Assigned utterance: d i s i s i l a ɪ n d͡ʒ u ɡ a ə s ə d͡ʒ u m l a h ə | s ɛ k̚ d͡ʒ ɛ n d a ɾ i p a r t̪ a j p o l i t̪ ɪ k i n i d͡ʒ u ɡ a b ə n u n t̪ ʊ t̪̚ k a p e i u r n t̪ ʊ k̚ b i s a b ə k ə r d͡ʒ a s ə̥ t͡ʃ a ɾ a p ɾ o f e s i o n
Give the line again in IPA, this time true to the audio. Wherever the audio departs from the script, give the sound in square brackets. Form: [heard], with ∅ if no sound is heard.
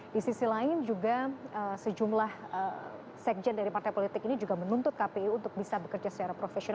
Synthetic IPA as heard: d i s i s i l a ɪ n d͡ʒ u ɡ a ə s ə d͡ʒ u m l a h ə | s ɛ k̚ d͡ʒ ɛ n d a ɾ i p a r t̪ a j p o l i t̪ ɪ k i n i d͡ʒ u ɡ a [m] ə n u n t̪ ʊ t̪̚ k a p e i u [∅] n t̪ ʊ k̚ b i s a b ə k ə r d͡ʒ a s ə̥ t͡ʃ a ɾ a p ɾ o f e s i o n